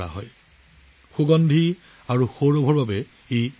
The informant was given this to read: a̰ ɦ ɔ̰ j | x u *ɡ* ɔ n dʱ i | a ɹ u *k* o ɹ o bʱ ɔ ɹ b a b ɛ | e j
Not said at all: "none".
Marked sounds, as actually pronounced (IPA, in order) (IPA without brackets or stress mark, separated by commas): ɡ, x